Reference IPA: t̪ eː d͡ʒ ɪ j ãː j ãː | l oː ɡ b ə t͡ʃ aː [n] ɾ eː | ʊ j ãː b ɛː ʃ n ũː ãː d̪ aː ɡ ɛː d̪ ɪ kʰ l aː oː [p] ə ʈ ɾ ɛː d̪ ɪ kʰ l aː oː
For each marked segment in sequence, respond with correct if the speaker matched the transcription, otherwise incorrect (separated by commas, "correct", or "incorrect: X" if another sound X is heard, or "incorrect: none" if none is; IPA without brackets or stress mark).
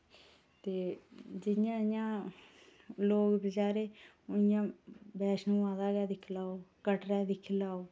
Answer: incorrect: none, incorrect: k